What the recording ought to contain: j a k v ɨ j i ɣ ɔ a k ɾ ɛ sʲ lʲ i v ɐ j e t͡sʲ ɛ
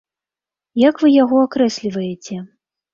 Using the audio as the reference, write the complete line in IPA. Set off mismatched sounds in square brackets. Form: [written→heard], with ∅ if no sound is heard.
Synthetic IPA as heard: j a k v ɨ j [i→a] ɣ ɔ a k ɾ ɛ sʲ lʲ i v ɐ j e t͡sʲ ɛ